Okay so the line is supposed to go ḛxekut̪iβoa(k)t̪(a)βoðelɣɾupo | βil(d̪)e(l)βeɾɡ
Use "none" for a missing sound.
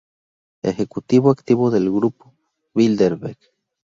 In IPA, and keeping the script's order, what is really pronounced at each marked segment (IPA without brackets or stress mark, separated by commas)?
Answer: k, i, d̪, ɾ